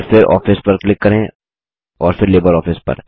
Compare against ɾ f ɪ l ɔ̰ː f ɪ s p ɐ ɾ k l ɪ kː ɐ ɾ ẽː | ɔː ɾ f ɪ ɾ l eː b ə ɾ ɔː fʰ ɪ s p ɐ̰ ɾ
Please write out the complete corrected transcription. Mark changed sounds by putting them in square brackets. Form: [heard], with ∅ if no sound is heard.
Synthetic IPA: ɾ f ɪ [ɾ] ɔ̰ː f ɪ s p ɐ ɾ k l ɪ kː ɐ ɾ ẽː | ɔː ɾ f ɪ ɾ l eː b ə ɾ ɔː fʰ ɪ s p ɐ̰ ɾ